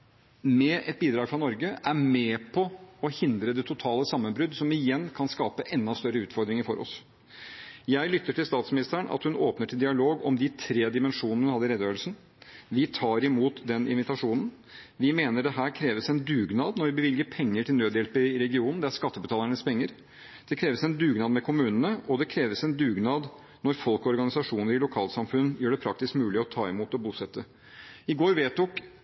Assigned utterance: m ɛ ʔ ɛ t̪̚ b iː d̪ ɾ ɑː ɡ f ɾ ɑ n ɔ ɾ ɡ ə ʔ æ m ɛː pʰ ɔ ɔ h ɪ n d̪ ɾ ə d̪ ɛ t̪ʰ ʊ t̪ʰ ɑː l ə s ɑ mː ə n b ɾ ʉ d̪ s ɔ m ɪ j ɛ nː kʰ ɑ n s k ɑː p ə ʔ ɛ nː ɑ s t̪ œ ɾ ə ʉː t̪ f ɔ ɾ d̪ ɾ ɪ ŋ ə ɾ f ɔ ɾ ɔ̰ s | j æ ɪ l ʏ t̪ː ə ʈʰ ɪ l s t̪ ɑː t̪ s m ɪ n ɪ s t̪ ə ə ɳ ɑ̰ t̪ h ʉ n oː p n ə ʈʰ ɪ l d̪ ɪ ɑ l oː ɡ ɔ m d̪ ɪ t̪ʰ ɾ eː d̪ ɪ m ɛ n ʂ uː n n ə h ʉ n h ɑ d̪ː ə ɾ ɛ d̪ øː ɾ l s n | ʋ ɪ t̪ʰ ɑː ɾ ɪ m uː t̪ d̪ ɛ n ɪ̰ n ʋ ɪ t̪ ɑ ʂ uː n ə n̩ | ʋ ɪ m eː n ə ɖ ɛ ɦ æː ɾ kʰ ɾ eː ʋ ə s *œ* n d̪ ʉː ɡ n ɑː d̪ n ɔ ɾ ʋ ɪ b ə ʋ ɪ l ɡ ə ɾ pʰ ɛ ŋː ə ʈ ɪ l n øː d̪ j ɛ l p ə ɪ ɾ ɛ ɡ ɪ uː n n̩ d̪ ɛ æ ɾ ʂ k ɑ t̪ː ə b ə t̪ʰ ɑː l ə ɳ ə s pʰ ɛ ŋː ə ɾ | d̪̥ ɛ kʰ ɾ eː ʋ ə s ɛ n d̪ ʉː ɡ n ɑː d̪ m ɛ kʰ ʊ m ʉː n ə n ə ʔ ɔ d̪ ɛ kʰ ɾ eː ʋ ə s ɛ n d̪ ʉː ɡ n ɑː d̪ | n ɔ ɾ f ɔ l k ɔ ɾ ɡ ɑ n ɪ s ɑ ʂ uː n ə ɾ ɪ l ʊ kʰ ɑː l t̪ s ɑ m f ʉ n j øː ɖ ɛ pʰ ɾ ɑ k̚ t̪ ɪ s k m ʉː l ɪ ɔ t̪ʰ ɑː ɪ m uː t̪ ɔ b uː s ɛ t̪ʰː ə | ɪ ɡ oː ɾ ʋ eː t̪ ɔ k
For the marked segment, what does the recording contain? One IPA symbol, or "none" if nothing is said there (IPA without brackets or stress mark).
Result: ɛ